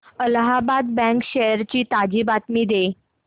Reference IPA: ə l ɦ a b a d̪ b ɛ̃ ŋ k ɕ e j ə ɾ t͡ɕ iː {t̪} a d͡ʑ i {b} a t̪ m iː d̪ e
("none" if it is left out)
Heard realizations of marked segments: t̪, b

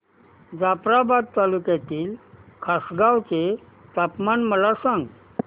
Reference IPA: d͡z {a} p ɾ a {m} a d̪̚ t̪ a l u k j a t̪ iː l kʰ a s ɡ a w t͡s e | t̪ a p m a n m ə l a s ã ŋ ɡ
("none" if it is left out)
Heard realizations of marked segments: a, b

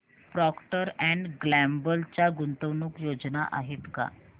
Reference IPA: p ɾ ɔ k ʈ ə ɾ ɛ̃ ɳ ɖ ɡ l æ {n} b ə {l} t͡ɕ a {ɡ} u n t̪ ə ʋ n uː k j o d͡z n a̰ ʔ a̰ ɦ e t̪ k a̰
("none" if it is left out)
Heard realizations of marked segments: m, l, ɡ

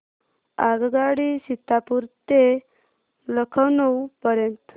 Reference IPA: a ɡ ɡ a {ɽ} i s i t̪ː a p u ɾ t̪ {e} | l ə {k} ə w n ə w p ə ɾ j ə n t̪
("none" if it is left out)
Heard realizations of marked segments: ɽ, e, kʰ

